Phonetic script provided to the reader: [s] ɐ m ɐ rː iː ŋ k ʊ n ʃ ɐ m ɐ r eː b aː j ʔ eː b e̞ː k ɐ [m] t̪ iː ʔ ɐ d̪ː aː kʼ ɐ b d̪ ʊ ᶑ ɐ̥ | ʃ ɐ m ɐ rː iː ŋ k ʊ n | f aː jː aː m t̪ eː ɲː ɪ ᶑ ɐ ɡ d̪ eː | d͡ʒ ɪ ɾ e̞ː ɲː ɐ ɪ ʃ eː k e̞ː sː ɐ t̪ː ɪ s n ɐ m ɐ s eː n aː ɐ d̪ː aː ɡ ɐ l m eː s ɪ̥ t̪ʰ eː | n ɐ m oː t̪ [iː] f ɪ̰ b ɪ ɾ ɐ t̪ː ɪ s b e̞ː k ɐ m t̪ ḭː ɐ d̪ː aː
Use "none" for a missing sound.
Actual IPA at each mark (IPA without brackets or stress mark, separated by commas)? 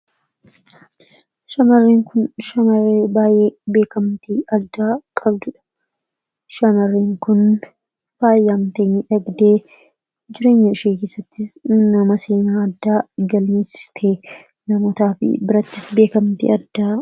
ʃ, m, aː